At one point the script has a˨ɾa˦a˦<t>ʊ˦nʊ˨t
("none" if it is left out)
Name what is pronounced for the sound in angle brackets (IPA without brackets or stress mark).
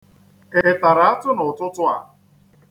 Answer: t